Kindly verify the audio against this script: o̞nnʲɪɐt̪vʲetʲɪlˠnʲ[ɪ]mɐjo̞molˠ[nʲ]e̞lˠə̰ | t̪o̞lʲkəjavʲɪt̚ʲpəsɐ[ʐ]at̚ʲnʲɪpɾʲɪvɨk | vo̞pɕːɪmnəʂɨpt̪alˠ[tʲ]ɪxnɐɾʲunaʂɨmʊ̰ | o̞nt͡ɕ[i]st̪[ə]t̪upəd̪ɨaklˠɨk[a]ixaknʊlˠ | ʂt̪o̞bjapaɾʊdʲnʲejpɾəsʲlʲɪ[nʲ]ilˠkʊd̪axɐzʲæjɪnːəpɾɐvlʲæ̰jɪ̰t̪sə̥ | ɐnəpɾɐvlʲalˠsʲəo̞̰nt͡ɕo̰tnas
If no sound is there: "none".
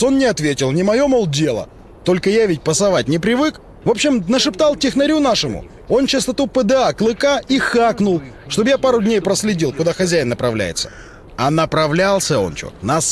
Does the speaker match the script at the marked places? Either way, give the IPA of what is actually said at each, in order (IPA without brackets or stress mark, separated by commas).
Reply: ɪ, dʲ, v, tʲ, ɪ, ɐ, a, dʲ